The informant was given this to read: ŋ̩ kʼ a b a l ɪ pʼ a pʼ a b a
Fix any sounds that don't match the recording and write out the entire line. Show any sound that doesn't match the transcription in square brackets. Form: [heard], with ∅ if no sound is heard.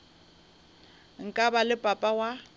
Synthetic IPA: ŋ̩ kʼ a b a l ɪ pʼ a pʼ a [w] a